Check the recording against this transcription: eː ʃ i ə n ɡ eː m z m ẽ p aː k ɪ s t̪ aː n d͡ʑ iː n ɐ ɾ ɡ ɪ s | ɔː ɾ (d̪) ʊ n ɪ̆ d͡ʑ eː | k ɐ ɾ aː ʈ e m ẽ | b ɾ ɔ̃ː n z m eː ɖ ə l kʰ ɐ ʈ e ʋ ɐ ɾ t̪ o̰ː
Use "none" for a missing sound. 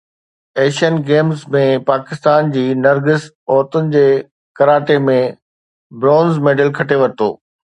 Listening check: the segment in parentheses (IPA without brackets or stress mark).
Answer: t̪